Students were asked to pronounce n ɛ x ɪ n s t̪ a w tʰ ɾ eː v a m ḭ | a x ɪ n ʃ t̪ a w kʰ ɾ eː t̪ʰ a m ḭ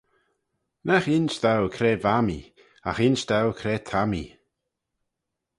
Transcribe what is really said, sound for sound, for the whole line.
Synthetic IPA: n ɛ x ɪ n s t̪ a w kʰ ɾ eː v a m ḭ | a x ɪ n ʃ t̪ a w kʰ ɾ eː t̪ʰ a m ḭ